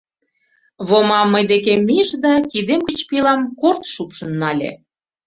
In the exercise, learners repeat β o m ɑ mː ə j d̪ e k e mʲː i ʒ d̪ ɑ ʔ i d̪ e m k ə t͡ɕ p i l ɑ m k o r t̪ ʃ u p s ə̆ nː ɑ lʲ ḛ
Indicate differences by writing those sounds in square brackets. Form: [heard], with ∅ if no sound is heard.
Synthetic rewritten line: β o m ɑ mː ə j d̪ e k e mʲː i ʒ d̪ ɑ [k] i d̪ e m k ə t͡ɕ p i l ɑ m k o r t̪ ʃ u p [ʃ] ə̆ nː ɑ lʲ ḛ